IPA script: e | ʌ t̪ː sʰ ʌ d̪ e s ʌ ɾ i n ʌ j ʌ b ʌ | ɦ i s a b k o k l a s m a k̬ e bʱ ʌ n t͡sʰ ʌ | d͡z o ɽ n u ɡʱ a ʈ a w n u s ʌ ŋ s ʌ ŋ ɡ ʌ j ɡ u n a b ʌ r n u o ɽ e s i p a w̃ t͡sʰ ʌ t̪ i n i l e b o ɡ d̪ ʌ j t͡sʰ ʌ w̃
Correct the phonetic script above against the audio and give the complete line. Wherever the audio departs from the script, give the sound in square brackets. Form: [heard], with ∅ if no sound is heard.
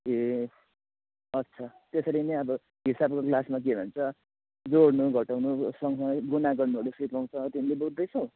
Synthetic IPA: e | ʌ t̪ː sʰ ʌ [t̪] e s ʌ ɾ i n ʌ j ʌ b ʌ | ɦ i s a b k o k l a s m a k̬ e bʱ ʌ n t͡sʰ ʌ | d͡z o ɽ n u ɡʱ [ʌ] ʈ a w n u s ʌ ŋ s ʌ ŋ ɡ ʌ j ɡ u n a [ɡ] ʌ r n u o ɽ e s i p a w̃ t͡sʰ ʌ t̪ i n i l e b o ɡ d̪ ʌ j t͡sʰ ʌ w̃